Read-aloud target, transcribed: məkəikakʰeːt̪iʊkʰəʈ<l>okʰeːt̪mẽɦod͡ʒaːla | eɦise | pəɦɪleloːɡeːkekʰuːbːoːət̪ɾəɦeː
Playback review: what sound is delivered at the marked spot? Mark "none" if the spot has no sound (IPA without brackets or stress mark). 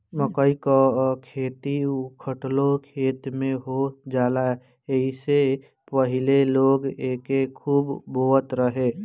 l